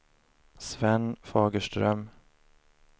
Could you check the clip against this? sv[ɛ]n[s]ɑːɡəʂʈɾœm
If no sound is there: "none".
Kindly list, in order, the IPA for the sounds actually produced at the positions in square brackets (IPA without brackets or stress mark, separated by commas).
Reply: ɛ, f